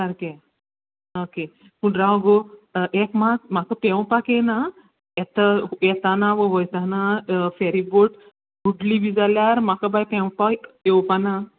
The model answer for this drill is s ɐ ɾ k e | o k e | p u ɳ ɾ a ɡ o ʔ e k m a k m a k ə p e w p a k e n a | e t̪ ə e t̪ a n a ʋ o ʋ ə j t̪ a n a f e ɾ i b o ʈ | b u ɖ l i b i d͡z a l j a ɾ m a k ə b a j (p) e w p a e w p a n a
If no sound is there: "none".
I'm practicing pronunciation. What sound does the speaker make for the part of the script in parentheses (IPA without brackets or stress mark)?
p